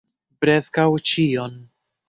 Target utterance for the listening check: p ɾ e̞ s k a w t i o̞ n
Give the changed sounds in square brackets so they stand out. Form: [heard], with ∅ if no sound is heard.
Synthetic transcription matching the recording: p ɾ e̞ s k a w [t͡ʃ] i o̞ n

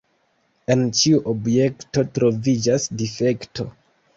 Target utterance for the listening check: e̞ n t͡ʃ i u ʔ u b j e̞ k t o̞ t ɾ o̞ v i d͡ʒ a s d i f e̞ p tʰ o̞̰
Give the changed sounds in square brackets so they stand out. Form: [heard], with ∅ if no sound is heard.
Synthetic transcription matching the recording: e̞ n t͡ʃ i u ʔ [o] b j e̞ k t o̞ t ɾ o̞ v i d͡ʒ a s d i f e̞ [k] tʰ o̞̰

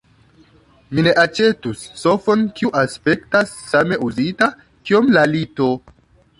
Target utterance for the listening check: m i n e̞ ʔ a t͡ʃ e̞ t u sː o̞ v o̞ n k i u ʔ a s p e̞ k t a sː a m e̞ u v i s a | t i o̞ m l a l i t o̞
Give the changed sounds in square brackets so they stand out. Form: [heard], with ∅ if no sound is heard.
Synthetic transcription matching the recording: m i n e̞ ʔ a t͡ʃ e̞ t u sː o̞ [f] o̞ n k i u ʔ a s p e̞ k t a sː a m e̞ u [z] i [t] a | [k] i o̞ m l a l i t o̞

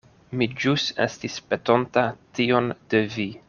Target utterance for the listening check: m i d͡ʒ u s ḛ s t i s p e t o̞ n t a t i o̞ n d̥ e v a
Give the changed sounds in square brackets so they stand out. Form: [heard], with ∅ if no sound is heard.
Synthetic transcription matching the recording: m i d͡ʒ u s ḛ s t i s p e t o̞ n t a t i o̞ n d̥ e v [i]

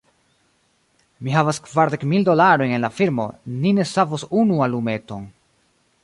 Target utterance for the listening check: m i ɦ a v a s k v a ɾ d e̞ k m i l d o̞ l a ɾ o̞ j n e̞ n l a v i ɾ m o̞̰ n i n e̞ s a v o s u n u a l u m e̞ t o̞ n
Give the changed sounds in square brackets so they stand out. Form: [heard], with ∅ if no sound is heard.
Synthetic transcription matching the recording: m i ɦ a v a s k v a ɾ d e̞ k m i l d o̞ l a ɾ o̞ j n e̞ n l a [f] i ɾ m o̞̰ n i n e̞ s a v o s u n u a l u m e̞ t o̞ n

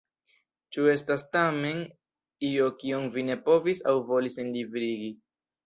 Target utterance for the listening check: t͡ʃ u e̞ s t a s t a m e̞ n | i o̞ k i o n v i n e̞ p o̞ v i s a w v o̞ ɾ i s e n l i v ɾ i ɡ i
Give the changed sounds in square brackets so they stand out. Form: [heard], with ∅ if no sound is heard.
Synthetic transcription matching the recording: t͡ʃ u e̞ s t a s t a m e̞ n | i o̞ k i o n v i n e̞ p o̞ v i s a w v o̞ [l] i s e n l i v ɾ i ɡ i

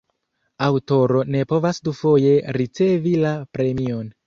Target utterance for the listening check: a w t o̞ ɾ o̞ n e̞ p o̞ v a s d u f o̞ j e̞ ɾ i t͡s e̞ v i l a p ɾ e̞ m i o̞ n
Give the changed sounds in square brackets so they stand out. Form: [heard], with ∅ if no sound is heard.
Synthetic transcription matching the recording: a w t o̞ ɾ o̞ n e̞ p o̞ v a s d u f o̞ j e̞ ɾ i t͡s e̞ v i l a p ɾ e̞ m i o̞ n

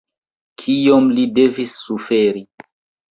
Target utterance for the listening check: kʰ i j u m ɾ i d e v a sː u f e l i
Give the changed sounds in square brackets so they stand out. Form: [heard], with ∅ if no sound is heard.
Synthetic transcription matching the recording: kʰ i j [o] m [l] i d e v [i] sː u f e [ɾ] i

